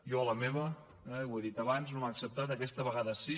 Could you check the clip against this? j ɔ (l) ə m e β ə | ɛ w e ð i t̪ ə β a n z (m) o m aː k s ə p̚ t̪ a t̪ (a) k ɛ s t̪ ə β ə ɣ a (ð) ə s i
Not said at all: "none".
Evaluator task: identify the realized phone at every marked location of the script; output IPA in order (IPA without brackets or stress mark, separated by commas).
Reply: l, n, ə, ð